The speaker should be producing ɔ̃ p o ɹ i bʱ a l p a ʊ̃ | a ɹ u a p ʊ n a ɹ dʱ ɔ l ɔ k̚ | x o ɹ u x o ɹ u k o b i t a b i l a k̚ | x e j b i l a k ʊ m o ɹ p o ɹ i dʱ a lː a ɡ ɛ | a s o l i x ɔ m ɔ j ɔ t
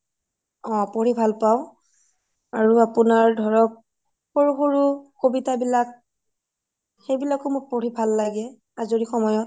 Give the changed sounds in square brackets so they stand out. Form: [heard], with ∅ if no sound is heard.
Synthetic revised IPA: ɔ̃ p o ɹ i bʱ a l p a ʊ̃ | a ɹ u a p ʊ n a ɹ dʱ ɔ [ɹ] ɔ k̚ | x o ɹ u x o ɹ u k o b i t a b i l a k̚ | x e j b i l a k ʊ m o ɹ p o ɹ i [bʱ] a lː a ɡ ɛ | a [z] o [ɹ] i x ɔ m ɔ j ɔ t